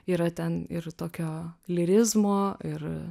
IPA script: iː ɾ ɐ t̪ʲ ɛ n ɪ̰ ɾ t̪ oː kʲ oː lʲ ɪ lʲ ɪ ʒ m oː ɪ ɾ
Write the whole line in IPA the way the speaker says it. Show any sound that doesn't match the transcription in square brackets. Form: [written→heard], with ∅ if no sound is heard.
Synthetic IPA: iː ɾ ɐ t̪ʲ ɛ n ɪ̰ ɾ t̪ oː kʲ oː lʲ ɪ [lʲ→ɾʲ] ɪ [ʒ→z] m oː ɪ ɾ